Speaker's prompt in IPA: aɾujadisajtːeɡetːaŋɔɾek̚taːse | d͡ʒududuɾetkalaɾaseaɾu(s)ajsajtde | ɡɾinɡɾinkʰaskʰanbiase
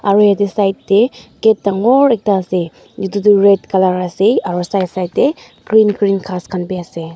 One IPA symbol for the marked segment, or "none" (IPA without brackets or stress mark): s